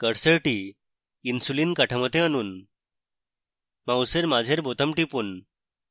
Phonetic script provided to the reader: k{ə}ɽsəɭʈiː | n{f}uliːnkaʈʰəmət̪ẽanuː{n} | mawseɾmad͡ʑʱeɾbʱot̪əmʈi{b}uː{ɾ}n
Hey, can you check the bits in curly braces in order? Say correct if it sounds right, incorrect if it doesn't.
correct, incorrect: s, correct, incorrect: p, incorrect: none

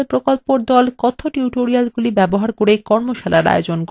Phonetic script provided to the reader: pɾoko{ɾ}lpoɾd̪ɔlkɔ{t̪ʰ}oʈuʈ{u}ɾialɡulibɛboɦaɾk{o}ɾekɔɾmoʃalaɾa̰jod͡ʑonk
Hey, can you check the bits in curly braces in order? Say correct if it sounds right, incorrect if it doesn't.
incorrect: none, correct, incorrect: o, correct

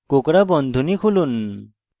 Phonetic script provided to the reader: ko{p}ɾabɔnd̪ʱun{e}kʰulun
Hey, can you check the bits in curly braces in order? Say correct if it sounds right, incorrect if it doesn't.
incorrect: k, incorrect: i

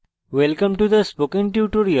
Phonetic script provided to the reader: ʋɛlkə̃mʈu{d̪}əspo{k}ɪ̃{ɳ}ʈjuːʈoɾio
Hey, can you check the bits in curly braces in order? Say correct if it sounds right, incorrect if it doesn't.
correct, correct, incorrect: ŋ

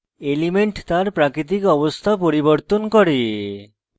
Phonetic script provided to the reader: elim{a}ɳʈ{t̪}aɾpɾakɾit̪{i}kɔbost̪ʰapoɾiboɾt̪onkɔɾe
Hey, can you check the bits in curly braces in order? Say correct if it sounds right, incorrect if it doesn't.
incorrect: e, correct, correct

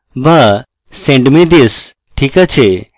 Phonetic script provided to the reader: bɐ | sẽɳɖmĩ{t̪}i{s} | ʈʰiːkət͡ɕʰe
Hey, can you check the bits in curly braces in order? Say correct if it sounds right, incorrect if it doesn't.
incorrect: d̪, correct

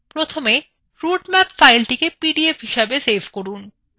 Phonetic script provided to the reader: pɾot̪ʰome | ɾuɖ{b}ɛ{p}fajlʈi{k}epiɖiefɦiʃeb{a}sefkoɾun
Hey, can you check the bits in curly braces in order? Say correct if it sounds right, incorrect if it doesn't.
incorrect: m, correct, correct, incorrect: e

